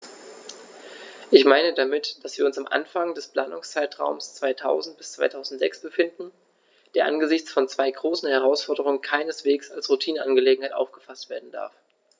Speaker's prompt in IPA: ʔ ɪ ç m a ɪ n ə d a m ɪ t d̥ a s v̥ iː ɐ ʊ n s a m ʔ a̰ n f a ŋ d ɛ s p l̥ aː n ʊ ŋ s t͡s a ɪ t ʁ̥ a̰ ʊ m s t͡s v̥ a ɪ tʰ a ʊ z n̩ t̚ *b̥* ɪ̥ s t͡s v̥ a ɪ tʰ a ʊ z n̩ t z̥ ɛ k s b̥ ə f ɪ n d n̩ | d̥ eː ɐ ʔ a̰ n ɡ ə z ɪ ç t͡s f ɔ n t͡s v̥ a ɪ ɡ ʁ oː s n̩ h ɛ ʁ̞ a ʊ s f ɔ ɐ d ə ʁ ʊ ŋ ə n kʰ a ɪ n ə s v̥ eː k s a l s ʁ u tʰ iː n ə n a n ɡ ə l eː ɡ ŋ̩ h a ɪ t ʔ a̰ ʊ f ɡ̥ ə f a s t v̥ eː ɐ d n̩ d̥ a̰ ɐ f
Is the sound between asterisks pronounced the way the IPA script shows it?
yes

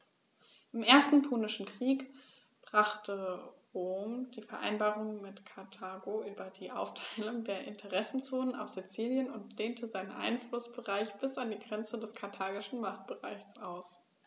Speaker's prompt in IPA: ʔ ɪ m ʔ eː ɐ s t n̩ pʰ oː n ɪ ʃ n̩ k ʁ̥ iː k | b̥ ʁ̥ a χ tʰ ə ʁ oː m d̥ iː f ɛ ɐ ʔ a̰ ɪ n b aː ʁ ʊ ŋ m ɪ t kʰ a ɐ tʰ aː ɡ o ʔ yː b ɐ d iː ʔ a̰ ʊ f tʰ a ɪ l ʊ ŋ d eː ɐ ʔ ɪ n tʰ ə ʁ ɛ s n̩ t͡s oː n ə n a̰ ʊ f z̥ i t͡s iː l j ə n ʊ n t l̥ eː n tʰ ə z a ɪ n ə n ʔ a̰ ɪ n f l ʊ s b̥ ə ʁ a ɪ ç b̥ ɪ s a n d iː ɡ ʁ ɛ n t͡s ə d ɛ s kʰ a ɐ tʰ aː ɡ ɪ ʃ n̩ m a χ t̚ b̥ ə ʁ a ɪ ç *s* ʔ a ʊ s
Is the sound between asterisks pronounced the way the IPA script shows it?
yes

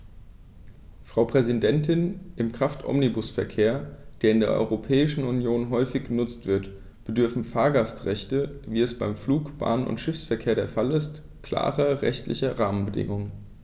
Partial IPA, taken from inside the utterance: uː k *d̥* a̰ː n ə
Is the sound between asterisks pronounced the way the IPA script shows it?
no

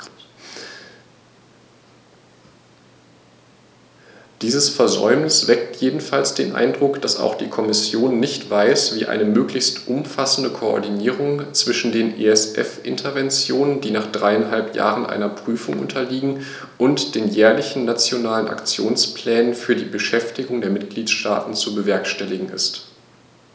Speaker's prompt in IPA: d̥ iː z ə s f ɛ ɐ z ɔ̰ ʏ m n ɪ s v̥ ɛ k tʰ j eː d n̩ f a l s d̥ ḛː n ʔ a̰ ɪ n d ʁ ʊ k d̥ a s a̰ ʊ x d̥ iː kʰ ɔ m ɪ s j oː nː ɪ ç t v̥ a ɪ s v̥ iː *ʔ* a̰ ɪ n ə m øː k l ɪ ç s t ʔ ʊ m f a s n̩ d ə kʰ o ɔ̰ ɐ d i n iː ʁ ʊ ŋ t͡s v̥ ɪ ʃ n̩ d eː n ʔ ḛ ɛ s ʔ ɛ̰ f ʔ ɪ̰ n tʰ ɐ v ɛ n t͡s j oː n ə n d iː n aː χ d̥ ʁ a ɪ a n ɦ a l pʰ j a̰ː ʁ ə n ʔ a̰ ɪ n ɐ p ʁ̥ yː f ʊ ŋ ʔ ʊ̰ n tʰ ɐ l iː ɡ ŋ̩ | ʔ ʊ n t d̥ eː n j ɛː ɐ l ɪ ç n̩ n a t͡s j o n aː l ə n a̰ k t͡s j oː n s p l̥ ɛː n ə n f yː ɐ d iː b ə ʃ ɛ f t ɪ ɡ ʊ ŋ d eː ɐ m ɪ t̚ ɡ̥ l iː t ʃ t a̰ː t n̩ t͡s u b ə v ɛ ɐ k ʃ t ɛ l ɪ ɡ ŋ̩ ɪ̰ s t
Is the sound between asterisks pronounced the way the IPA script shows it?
yes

